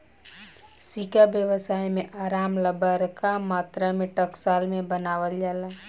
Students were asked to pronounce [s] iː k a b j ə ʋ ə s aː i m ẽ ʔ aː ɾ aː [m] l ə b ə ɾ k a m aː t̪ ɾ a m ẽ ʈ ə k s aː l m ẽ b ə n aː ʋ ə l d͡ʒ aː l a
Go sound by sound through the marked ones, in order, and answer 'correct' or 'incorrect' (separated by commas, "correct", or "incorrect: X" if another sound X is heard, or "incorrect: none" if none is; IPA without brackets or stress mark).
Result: correct, correct